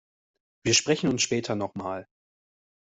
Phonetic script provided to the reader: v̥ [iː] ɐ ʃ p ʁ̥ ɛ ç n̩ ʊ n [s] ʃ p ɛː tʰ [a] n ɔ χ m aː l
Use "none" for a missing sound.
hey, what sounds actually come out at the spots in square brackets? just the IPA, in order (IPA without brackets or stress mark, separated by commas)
iː, s, ɐ